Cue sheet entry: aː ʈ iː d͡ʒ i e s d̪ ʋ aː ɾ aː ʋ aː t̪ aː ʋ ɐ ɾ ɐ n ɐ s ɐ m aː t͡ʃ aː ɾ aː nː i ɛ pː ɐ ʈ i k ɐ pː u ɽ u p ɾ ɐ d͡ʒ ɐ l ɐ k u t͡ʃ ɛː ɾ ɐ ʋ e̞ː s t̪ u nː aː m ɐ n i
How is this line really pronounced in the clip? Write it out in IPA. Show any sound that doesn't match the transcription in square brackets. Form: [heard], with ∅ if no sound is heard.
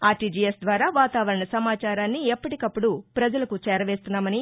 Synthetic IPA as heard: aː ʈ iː d͡ʒ i e s d̪ ʋ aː ɾ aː ʋ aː t̪ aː ʋ ɐ ɾ ɐ [ɳ] ɐ s ɐ m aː t͡ʃ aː ɾ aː nː i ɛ pː ɐ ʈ i k ɐ pː u ɽ u p ɾ ɐ d͡ʒ ɐ l ɐ k u t͡ʃ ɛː ɾ ɐ ʋ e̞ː s t̪ u nː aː m ɐ n i